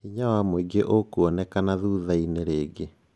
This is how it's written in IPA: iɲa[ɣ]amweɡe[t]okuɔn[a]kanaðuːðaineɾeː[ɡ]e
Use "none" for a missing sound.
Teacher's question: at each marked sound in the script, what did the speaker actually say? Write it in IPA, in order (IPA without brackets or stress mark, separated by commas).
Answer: w, ʔ, ɛ, ɡ